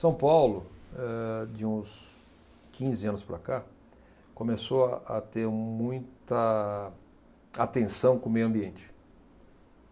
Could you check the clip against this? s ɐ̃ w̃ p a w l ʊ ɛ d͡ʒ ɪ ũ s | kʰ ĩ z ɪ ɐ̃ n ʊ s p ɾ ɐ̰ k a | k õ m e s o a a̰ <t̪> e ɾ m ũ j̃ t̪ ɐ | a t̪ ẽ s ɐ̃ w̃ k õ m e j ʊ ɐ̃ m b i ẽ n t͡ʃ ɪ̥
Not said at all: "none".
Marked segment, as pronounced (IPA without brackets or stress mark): t̪